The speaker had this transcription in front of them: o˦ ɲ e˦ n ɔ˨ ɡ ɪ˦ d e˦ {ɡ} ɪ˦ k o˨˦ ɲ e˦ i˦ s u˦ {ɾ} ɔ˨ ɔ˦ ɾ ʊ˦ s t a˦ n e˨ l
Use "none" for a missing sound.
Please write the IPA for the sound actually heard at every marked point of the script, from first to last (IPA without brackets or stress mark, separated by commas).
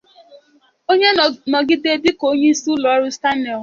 d, l